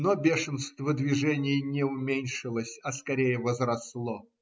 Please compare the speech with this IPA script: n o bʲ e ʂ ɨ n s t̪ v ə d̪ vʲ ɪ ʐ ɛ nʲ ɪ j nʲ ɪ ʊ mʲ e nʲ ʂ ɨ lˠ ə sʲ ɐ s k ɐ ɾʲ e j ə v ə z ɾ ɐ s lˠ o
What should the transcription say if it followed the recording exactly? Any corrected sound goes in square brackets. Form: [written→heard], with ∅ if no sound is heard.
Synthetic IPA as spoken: n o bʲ e ʂ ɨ n s t̪ v ə d̪ vʲ ɪ ʐ ɛ nʲ ɪ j nʲ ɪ ʊ mʲ e nʲ ʂ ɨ lˠ ə sʲ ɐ s k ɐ ɾʲ e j ə v ə z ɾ ɐ s lˠ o